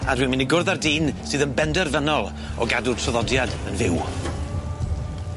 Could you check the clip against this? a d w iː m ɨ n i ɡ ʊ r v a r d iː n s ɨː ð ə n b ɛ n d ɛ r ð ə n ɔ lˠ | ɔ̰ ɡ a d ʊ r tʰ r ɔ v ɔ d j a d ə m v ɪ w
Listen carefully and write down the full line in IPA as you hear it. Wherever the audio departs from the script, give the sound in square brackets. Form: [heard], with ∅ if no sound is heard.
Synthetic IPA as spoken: a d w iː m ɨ n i ɡ ʊ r [ð] a r d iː n s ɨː ð ə n b ɛ n d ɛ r [v] ə n ɔ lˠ | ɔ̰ ɡ a d ʊ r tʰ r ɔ [ð] ɔ d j a d ə [n] v ɪ w